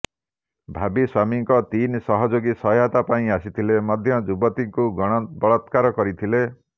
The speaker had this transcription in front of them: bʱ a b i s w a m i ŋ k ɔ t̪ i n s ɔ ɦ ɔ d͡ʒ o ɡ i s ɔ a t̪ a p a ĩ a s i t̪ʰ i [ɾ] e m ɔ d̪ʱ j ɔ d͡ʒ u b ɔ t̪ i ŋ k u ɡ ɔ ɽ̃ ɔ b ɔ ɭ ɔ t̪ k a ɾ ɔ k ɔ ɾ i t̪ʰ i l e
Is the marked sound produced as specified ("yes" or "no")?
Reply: no